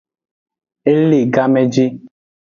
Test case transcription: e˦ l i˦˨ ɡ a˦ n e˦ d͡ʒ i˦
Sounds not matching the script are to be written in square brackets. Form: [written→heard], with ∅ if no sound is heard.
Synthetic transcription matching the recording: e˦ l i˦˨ ɡ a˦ [n→m] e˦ d͡ʒ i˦